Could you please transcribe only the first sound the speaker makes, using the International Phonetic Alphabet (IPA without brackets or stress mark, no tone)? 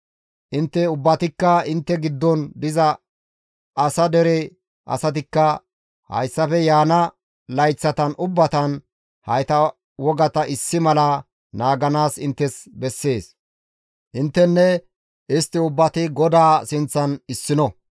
ʔ